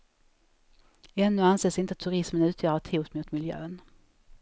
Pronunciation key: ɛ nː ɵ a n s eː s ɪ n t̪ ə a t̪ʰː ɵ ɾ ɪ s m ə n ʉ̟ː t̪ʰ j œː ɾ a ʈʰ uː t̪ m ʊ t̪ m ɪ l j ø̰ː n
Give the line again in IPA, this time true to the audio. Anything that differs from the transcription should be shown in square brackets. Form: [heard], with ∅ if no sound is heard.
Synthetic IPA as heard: ɛ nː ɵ a n s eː s ɪ n t̪ ə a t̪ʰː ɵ ɾ ɪ s m ə n ʉ̟ː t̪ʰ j œː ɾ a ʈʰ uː t̪ m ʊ t̪ m ɪ l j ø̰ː n

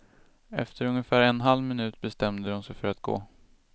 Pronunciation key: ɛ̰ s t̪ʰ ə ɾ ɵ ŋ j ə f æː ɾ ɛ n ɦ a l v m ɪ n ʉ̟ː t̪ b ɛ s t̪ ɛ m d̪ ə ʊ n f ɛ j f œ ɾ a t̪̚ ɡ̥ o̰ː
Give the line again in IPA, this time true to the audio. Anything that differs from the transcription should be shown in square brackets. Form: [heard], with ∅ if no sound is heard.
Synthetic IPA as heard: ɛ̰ [f] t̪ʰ ə ɾ ɵ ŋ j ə f æː ɾ ɛ n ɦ a l v m ɪ n ʉ̟ː t̪ b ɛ s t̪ ɛ m d̪ ə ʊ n [s] ɛ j f œ ɾ a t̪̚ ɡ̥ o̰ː

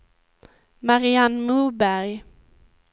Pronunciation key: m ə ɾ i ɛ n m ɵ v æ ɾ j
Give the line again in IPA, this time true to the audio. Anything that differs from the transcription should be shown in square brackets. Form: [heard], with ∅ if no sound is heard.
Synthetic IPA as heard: m [a] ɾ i [a] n m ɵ [b] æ ɾ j

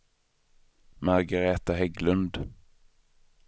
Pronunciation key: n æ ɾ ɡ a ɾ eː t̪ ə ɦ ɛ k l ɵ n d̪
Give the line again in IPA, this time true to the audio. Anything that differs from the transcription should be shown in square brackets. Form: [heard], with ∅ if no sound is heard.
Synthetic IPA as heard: [m] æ ɾ ɡ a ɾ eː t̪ [a] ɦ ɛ [ɡ] l ɵ n d̪

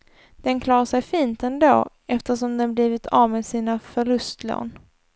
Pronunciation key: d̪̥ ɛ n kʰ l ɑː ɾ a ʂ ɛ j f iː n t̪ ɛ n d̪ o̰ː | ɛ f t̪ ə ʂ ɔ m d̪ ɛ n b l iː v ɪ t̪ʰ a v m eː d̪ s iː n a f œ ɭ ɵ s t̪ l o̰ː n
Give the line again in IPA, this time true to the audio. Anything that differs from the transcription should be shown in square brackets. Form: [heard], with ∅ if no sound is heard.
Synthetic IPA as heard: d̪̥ ɛ n kʰ l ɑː ɾ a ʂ ɛ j f iː n t̪ ɛ n d̪ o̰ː | ɛ f t̪ ə ʂ ɔ m d̪ ɛ n b l iː v ɪ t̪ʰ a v m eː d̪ s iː n a f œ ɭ ɵ s t̪ l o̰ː n

